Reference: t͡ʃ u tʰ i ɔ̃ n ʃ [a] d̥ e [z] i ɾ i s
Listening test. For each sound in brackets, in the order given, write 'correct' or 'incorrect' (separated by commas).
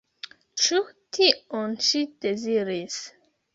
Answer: incorrect, correct